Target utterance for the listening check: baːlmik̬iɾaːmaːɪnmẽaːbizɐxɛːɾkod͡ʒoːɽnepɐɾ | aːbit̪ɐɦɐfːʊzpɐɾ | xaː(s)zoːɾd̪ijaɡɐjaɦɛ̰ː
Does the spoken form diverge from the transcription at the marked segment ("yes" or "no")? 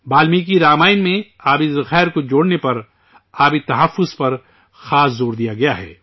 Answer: no